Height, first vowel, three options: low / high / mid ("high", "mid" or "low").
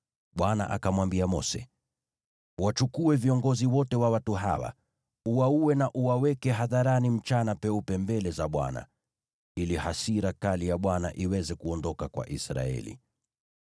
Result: low